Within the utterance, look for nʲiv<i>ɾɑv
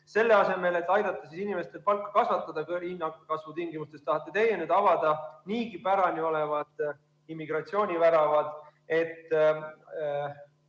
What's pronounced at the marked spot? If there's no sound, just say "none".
æ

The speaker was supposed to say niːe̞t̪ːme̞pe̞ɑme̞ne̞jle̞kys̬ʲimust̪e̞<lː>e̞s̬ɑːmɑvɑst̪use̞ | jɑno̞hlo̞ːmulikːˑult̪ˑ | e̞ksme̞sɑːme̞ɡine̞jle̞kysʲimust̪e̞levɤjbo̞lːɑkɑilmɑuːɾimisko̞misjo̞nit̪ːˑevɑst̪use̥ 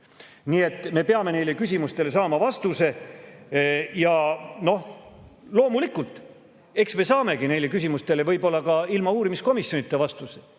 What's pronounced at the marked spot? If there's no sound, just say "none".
l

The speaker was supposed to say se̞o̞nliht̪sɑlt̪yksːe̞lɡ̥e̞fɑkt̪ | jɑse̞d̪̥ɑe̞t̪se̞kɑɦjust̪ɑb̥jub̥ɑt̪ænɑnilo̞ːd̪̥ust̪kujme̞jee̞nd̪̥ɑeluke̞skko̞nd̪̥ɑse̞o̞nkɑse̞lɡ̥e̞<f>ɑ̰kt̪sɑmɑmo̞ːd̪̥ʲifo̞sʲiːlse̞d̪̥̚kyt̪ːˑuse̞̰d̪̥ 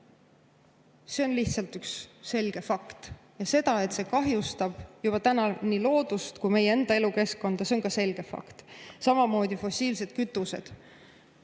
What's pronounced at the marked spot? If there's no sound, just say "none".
f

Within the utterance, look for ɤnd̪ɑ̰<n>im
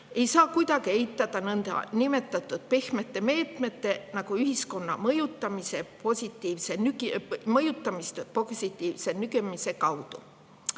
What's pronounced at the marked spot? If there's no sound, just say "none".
n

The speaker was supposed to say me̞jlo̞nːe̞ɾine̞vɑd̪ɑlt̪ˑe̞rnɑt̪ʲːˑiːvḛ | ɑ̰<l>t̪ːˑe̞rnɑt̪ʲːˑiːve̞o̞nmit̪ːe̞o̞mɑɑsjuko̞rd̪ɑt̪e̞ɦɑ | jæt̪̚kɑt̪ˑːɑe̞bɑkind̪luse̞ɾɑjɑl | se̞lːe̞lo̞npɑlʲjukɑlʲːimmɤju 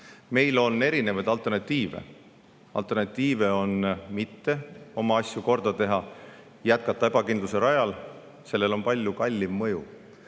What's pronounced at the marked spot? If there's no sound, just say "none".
l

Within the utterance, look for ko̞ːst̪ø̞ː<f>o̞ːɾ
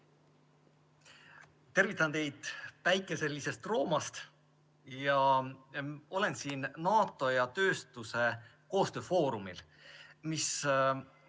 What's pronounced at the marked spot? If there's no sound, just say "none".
f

